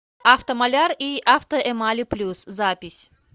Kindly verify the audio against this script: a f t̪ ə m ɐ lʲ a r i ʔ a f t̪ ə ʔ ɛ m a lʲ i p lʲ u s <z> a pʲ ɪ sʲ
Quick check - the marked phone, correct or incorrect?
correct